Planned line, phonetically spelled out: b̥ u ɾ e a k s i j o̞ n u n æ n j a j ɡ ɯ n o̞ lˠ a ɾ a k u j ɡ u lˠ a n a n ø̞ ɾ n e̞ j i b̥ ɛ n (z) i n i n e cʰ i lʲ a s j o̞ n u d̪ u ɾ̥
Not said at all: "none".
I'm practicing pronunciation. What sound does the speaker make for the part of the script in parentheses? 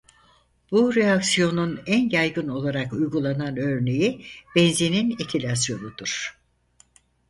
z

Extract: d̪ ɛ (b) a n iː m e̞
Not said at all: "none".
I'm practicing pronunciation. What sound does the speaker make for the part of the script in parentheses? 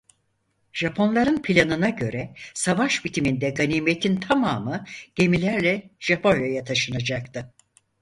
ɡ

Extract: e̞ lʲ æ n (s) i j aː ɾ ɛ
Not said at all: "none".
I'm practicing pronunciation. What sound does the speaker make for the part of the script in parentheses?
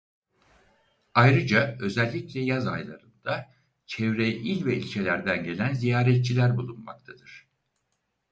z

